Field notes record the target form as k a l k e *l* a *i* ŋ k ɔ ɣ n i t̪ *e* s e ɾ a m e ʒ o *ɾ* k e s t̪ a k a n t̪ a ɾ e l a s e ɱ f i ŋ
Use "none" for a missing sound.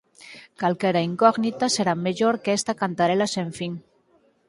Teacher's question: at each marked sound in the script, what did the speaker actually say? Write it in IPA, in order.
ɾ, i, a, ɾ

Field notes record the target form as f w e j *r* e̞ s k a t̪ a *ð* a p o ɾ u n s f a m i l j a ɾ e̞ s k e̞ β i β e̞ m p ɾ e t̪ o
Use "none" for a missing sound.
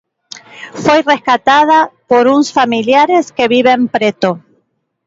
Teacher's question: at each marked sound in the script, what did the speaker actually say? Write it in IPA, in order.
r, ð

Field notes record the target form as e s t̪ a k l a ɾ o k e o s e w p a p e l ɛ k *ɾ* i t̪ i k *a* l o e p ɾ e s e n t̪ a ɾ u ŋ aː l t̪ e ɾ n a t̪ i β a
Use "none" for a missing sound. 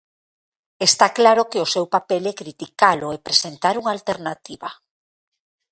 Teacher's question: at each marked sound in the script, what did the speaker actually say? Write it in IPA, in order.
ɾ, a

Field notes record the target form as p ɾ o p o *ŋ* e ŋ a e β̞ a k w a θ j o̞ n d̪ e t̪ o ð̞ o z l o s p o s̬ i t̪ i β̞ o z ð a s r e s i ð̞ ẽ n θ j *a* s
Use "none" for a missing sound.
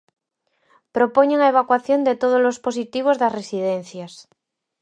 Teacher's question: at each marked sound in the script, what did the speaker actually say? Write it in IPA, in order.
ɲ, a

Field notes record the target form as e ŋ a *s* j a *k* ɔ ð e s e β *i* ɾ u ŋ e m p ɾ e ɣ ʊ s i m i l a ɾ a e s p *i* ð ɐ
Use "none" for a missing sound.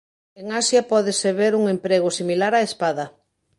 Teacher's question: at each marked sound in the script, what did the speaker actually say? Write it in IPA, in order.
s, p, e, a

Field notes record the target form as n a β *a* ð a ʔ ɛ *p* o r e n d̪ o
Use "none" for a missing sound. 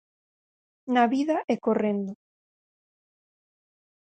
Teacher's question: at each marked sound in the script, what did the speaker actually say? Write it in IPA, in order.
i, k

